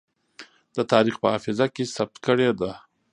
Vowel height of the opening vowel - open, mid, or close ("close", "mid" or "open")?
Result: mid